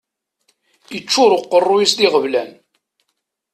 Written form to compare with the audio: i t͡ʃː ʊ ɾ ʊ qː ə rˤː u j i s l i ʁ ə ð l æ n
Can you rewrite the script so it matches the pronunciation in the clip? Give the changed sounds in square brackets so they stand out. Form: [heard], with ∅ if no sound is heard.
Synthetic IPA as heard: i t͡ʃː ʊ ɾ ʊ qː ə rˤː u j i s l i ʁ ə [v] l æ n

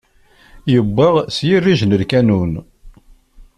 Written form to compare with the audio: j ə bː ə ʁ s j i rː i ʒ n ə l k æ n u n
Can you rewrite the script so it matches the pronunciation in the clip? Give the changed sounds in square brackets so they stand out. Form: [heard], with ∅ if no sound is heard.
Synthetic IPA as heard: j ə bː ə ʁ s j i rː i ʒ n ə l k æ n u n

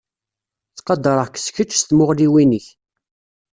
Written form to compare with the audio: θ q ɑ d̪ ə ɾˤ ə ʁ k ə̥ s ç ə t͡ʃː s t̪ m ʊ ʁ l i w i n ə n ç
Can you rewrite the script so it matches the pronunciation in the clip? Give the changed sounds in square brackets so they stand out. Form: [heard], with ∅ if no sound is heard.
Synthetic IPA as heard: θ q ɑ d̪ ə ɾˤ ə ʁ k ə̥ s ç ə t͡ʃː s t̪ m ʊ ʁ l i w i n ə [∅] ç

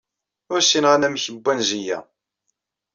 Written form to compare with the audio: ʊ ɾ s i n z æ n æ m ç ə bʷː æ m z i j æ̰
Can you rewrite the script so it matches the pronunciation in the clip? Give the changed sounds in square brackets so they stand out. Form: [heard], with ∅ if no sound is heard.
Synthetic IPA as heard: ʊ ɾ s i n [ʁ] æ n æ m ç ə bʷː æ [n] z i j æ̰

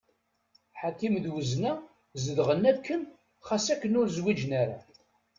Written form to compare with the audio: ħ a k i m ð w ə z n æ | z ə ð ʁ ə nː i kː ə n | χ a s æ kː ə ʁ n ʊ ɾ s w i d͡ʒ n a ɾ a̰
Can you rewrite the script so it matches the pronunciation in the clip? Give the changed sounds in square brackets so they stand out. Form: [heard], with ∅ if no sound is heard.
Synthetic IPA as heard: ħ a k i m ð w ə z n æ | z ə ð ʁ ə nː [æ] kː ə n | χ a s æ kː ə [∅] n ʊ ɾ [z] w i d͡ʒ n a ɾ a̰

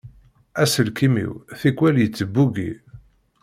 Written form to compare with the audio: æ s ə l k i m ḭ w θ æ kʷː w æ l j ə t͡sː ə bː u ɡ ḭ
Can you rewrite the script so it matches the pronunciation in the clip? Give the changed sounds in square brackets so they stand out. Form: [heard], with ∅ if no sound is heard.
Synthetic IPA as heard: æ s ə l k i m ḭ w θ [i] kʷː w æ l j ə t͡sː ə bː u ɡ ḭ

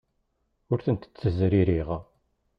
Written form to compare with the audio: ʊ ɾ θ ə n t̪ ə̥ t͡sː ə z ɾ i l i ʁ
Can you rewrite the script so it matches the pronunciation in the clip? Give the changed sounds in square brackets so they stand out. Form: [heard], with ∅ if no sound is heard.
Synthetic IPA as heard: ʊ ɾ θ ə n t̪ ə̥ t͡sː ə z ɾ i [ɾ] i ʁ

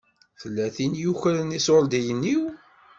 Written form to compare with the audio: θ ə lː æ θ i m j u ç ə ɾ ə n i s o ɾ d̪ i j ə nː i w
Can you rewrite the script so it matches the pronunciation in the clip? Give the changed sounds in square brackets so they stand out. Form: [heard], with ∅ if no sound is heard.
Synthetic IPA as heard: θ ə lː æ θ i [n] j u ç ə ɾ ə n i s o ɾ d̪ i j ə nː i w

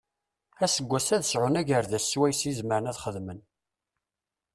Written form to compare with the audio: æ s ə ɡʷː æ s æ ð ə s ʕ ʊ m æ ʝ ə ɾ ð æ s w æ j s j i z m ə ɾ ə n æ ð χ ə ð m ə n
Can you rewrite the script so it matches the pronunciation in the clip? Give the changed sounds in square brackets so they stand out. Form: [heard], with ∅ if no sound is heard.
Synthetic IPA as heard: æ s ə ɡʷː æ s æ ð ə s ʕ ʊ [n] æ ʝ ə ɾ ð æ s w æ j s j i z m ə ɾ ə n æ ð χ ə ð m ə n

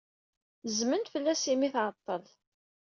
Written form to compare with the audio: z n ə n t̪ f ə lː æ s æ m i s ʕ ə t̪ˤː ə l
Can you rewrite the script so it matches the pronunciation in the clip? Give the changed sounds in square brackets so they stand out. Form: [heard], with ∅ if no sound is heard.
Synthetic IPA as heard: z [m] ə n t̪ f ə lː æ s [i] m i [θ] ʕ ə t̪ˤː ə l

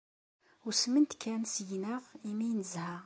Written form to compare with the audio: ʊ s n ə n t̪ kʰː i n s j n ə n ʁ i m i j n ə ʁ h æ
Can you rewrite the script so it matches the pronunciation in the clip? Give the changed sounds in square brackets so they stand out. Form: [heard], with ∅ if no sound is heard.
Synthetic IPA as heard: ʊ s [m] ə n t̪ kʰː [æ] n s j n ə [∅] ʁ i m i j n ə [z] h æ

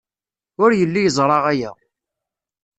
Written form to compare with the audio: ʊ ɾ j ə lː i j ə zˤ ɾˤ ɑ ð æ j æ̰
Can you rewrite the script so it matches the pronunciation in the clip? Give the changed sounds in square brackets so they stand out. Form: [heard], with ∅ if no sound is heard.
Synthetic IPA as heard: ʊ ɾ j ə lː i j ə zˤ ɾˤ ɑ [ʁ] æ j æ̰

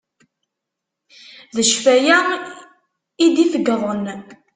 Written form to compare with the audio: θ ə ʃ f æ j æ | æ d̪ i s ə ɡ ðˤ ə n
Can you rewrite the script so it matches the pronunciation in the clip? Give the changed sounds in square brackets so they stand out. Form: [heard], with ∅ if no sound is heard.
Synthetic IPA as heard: [ð] ə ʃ f æ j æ | [i] d̪ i [f] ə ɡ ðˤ ə n

